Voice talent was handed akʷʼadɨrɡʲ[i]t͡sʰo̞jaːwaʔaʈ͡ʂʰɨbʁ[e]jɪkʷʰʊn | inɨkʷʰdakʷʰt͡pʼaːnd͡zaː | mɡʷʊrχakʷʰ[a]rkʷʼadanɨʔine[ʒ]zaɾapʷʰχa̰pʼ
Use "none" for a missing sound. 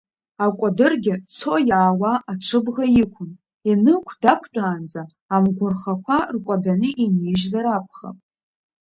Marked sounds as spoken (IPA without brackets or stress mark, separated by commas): ɪ, a, a, ʒ